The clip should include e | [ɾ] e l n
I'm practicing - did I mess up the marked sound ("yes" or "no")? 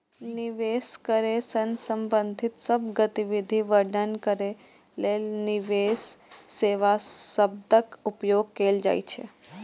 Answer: yes